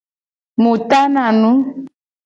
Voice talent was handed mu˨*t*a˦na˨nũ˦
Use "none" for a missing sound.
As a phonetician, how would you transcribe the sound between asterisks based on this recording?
t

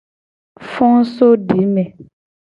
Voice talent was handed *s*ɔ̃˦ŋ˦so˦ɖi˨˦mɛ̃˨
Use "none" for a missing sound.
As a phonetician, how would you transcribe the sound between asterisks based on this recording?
f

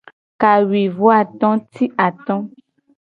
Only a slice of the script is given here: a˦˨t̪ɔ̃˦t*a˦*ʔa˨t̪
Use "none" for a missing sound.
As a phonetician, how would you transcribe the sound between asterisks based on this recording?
i˦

